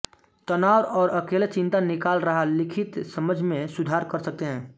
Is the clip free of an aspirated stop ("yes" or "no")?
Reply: no